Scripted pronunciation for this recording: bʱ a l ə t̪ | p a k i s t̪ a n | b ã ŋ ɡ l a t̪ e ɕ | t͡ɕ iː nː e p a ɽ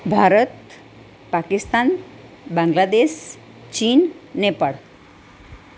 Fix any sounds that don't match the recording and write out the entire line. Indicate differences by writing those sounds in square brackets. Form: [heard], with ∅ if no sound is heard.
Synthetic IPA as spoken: bʱ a [ɾ] ə t̪ | p a k i s t̪ a n | b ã ŋ ɡ l a [d̪] e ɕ | t͡ɕ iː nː e p a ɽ